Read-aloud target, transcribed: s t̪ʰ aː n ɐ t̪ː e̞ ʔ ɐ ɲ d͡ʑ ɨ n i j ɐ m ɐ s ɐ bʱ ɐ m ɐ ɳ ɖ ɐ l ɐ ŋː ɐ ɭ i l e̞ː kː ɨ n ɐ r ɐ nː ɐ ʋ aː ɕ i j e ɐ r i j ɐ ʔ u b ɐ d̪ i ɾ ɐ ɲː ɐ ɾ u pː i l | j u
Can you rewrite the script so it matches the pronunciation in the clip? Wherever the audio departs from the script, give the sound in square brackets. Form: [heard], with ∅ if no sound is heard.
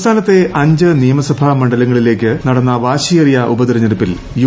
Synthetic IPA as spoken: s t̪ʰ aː n ɐ t̪ː e̞ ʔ ɐ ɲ d͡ʑ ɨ n i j ɐ m ɐ s ɐ bʱ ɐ m ɐ ɳ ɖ ɐ l ɐ ŋː ɐ ɭ i l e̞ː kː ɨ n ɐ [ɽ] ɐ nː ɐ ʋ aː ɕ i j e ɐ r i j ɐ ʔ u b ɐ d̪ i ɾ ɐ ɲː ɐ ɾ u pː i l | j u